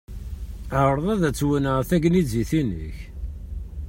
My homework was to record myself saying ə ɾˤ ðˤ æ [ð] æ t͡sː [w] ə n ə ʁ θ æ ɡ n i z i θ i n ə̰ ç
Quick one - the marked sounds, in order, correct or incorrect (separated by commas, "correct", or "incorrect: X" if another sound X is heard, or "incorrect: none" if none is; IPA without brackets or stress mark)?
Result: correct, correct